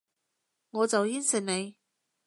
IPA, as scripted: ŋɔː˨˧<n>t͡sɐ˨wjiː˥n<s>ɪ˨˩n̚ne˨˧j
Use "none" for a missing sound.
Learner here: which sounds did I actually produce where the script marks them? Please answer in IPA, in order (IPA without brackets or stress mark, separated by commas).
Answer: none, s